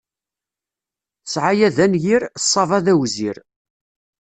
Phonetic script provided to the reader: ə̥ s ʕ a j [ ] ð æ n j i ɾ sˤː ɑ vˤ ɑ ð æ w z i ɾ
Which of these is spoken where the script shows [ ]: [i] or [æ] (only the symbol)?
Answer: æ